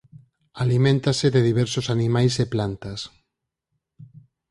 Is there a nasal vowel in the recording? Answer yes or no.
yes